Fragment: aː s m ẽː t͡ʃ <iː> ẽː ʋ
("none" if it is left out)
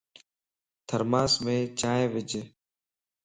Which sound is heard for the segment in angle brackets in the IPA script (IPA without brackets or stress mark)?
aː